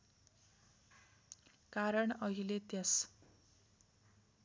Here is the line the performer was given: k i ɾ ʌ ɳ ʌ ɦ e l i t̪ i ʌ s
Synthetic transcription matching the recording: k a ɾ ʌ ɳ ʌ ɦ i l e t̪ j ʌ s